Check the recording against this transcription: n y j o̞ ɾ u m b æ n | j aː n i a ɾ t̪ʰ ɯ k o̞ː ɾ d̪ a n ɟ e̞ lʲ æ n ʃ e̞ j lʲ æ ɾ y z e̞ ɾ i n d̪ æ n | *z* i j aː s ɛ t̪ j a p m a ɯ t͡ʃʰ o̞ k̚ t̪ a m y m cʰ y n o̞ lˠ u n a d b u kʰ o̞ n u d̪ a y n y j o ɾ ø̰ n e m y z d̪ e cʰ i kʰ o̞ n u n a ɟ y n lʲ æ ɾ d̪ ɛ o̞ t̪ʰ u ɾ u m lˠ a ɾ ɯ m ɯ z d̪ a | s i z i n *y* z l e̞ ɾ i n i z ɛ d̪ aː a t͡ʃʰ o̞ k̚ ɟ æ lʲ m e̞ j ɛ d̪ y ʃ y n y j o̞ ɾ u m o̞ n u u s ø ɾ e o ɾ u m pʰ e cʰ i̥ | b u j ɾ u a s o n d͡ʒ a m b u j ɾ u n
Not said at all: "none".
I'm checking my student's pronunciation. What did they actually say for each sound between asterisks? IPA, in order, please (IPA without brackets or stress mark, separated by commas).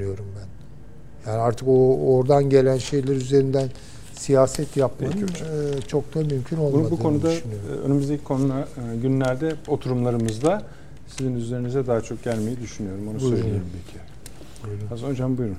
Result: s, y